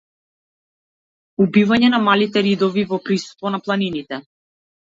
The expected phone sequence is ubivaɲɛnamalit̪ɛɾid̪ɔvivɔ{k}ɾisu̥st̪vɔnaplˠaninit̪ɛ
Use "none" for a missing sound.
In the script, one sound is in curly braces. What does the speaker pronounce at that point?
p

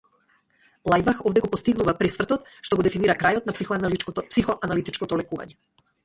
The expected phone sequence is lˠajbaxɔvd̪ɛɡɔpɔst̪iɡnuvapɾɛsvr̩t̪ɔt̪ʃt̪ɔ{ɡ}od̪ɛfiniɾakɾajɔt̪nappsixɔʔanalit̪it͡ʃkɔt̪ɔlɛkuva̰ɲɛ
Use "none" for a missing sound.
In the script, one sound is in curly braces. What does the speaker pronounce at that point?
ɡ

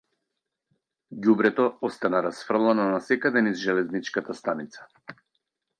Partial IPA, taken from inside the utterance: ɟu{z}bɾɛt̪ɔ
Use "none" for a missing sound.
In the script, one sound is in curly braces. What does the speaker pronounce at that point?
none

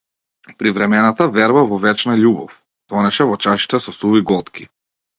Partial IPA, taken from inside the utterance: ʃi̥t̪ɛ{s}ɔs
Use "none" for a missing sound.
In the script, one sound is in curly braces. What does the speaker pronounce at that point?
s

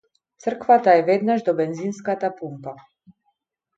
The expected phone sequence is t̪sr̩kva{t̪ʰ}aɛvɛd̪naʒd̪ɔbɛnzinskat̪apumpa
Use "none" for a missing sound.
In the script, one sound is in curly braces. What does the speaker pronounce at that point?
t̪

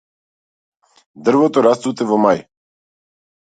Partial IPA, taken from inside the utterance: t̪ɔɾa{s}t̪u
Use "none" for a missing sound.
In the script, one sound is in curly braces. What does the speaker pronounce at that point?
s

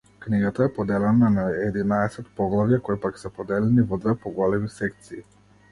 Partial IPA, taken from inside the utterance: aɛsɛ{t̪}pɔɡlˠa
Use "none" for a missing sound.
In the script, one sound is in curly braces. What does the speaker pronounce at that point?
t̪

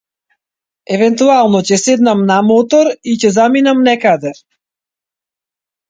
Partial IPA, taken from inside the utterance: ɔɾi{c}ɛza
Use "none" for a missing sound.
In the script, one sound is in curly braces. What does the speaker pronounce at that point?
c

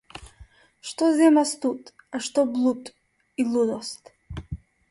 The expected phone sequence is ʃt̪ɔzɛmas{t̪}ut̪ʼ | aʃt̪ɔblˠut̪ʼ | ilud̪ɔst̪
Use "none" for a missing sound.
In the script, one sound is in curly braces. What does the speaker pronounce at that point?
t̪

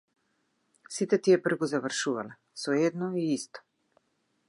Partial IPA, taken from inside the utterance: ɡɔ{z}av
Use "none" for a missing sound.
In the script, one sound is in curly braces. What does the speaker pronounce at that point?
z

